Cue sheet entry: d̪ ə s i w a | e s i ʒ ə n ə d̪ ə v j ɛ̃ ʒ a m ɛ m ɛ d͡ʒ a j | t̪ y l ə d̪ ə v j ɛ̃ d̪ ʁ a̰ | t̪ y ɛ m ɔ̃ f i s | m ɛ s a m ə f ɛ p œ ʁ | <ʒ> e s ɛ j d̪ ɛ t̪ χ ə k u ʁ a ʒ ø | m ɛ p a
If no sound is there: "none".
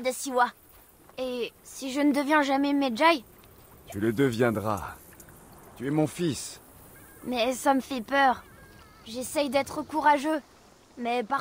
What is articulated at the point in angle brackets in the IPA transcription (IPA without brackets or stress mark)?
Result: ʒ